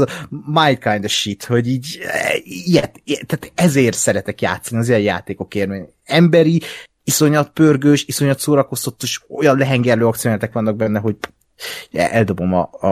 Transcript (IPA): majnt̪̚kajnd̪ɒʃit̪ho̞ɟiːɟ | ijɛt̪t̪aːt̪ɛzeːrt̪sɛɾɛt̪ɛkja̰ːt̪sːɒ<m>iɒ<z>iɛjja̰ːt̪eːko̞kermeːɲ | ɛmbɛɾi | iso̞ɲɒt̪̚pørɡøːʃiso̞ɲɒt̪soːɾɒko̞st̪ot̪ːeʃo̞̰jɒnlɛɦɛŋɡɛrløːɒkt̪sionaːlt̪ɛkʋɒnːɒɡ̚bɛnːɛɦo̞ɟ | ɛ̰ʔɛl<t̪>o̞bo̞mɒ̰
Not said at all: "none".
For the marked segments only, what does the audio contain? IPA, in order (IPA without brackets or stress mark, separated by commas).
n, z, d̪